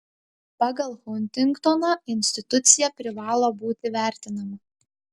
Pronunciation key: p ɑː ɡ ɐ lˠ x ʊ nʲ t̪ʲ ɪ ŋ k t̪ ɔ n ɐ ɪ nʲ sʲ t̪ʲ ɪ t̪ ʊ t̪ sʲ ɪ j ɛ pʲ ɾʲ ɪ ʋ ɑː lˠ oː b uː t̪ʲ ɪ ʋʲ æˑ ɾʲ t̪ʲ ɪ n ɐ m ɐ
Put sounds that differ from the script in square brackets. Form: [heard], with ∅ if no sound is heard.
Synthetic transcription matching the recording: p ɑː ɡ ɐ lˠ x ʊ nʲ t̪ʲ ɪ ŋ k t̪ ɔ n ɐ ɪ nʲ sʲ t̪ʲ ɪ t̪ ʊ t̪ sʲ ɪ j ɛ pʲ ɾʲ ɪ ʋ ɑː lˠ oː b uː t̪ʲ ɪ ʋʲ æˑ ɾʲ t̪ʲ ɪ n ɐ m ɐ